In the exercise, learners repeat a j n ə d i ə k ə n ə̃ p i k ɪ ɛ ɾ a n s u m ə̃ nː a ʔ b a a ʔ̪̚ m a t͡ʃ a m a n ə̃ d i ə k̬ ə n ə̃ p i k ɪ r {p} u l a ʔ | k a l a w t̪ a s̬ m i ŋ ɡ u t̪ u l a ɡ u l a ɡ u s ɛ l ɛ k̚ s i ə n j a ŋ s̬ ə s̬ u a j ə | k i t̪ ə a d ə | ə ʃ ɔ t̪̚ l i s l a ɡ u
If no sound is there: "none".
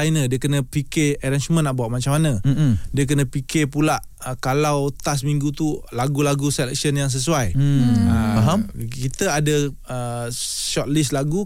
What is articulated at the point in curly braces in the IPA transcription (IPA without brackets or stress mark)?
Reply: p